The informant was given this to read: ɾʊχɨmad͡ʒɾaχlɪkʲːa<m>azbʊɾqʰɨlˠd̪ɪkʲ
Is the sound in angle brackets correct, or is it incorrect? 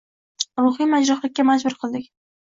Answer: correct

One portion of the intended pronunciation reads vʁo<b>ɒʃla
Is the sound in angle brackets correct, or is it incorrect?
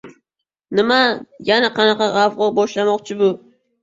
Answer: correct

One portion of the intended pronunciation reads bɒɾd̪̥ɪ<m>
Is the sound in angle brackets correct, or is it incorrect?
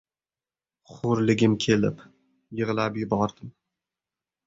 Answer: correct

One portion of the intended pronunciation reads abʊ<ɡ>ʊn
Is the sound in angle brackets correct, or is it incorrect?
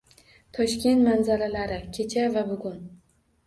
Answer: correct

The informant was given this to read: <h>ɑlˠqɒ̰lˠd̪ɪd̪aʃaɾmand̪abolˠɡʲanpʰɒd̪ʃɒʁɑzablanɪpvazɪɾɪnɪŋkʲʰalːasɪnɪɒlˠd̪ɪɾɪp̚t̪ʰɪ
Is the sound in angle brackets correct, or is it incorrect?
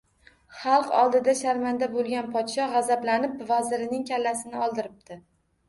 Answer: incorrect: χ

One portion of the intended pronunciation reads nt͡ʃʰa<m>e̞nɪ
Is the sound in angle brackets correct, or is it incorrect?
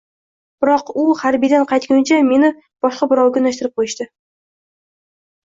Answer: correct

